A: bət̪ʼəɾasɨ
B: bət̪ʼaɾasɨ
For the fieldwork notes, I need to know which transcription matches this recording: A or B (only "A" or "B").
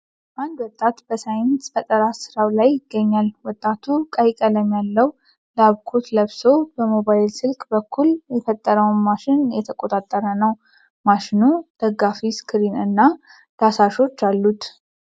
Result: A